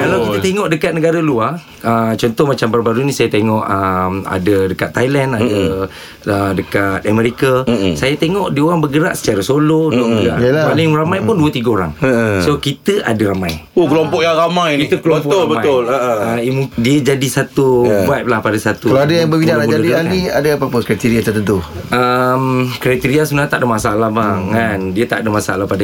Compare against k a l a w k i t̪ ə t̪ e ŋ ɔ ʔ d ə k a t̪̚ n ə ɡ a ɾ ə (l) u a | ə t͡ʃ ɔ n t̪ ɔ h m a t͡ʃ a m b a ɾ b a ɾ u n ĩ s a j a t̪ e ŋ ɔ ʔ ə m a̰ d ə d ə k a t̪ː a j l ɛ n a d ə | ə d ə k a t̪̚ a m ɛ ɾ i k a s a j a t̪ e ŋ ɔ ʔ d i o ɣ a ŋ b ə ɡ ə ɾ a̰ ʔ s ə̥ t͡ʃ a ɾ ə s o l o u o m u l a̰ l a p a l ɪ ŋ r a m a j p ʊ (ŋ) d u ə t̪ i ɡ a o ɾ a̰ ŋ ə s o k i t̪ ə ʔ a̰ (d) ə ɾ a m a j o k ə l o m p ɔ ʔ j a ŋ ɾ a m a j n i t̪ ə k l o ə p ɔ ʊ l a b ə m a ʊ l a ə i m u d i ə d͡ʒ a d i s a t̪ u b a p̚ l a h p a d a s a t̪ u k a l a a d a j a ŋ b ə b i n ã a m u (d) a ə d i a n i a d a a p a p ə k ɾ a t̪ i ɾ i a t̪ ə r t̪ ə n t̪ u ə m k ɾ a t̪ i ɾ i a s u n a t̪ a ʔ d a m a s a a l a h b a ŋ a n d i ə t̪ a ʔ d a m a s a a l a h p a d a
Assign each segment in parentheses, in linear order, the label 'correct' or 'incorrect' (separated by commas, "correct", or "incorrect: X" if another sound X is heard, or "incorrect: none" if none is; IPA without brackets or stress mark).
correct, incorrect: n, correct, incorrect: d͡ʒ